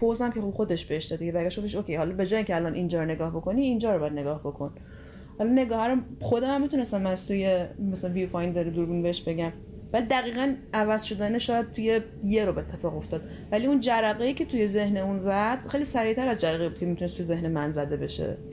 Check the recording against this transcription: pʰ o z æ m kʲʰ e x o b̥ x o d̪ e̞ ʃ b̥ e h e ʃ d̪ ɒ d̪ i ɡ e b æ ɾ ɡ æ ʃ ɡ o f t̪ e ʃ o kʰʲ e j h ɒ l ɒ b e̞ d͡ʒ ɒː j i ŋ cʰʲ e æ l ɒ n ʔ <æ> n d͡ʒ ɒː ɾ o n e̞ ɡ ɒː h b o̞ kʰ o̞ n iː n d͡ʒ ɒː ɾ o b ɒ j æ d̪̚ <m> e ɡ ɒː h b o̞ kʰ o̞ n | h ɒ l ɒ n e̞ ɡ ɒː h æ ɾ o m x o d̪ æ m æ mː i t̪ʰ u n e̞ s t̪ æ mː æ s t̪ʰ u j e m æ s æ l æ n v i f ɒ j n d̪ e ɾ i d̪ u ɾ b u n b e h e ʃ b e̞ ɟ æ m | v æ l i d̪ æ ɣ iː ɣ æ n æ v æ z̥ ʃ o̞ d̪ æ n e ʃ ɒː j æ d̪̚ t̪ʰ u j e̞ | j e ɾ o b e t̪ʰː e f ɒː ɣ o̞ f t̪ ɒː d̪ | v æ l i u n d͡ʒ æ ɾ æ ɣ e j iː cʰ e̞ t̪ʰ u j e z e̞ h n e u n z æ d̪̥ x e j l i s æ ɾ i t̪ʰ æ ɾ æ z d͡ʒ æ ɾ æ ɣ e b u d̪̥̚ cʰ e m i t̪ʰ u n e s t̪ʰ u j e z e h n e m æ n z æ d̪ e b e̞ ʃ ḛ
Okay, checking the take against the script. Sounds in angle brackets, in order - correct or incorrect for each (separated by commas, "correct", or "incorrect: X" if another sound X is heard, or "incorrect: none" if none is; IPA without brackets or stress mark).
incorrect: i, incorrect: n